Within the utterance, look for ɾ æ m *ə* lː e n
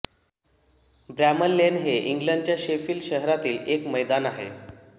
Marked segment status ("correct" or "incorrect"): correct